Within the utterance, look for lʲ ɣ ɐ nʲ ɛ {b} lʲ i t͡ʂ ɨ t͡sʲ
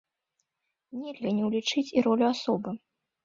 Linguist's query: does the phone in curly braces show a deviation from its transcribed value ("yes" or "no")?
yes